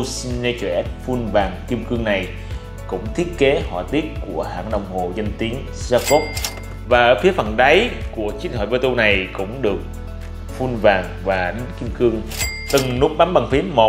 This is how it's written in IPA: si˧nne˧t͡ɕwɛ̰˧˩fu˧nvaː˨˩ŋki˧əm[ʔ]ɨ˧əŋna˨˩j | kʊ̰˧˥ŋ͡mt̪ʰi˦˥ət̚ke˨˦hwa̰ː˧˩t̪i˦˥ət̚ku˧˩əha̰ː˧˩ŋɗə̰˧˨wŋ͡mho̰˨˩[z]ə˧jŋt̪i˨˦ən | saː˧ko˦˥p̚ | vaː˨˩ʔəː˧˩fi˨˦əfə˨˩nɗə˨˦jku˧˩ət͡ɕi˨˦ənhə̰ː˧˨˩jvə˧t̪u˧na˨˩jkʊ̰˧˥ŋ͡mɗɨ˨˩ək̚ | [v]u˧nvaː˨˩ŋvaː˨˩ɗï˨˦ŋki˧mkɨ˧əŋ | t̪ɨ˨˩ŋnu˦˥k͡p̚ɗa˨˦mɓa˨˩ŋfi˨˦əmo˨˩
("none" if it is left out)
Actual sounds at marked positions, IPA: k, z, f

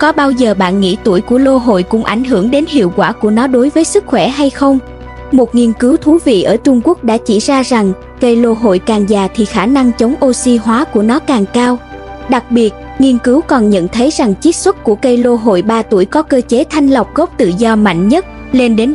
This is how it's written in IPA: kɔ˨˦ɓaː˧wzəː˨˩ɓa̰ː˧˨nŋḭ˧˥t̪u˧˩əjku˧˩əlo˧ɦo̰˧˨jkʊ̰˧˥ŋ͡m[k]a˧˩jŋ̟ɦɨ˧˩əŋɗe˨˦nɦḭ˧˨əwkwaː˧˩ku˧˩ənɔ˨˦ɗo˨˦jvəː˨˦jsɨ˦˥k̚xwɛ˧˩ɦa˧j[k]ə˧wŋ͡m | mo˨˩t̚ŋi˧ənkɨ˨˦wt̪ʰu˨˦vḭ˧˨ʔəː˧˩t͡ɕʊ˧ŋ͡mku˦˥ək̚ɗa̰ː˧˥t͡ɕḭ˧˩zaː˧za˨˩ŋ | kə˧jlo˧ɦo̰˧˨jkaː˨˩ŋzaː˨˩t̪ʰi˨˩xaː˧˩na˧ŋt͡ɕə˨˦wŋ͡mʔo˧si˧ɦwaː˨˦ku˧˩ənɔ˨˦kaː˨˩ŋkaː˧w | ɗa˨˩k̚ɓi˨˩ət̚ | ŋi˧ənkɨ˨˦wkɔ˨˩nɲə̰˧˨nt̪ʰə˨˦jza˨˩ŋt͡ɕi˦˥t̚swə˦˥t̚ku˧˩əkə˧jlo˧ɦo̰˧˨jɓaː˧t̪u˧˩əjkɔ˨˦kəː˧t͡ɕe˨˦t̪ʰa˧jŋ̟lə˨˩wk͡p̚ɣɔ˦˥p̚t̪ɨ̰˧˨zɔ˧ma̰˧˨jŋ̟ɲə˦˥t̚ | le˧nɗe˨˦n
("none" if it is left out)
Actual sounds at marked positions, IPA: ʔ, x

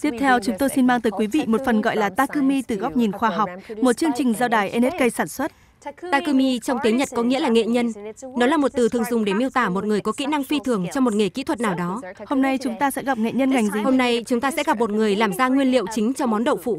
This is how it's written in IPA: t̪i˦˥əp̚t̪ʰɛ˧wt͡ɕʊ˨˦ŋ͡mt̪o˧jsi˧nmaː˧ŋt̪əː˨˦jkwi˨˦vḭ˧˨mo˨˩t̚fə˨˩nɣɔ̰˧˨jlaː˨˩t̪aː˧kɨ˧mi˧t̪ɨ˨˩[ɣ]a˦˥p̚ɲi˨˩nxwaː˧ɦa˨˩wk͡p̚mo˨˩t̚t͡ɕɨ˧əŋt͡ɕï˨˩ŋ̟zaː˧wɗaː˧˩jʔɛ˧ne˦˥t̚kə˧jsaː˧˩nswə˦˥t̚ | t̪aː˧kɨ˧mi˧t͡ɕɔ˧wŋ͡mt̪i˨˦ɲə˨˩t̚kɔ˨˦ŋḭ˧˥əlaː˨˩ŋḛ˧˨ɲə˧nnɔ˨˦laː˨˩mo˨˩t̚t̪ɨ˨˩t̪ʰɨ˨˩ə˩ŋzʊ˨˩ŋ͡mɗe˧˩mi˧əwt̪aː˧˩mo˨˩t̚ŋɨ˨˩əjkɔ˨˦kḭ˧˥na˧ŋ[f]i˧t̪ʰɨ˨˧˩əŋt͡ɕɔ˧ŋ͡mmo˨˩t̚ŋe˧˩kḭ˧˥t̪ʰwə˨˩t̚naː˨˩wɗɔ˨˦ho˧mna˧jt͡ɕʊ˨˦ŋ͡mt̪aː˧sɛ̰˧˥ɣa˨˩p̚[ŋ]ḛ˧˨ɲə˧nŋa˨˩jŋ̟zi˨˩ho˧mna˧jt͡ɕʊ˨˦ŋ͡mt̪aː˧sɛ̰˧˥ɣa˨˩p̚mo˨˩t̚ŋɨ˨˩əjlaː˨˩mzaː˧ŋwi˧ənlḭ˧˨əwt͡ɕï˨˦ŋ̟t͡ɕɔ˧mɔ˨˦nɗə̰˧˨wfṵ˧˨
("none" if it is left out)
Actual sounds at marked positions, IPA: ɣ, f, ŋ

